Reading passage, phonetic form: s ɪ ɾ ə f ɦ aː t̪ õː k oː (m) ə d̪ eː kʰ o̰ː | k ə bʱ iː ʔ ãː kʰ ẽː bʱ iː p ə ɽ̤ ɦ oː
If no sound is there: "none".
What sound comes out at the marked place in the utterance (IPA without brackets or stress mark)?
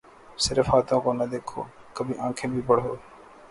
n